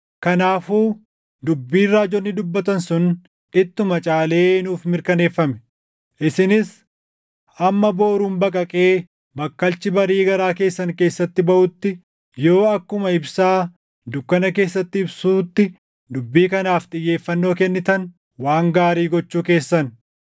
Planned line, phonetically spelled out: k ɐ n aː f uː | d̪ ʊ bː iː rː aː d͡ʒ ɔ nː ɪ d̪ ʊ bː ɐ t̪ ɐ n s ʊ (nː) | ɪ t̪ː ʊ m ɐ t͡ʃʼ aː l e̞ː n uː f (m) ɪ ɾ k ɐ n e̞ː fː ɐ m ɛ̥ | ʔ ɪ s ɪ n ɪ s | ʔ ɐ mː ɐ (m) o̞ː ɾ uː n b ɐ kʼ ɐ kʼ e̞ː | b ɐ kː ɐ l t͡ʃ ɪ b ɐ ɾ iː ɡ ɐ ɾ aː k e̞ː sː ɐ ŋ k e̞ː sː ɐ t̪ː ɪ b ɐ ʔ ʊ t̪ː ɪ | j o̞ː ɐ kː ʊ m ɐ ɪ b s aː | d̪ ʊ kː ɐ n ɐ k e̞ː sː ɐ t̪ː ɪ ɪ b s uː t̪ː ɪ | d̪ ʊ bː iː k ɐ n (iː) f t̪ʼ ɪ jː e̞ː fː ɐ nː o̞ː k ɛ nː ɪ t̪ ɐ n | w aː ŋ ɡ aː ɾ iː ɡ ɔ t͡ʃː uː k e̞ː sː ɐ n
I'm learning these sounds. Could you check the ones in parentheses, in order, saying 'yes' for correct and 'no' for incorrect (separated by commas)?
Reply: no, yes, no, no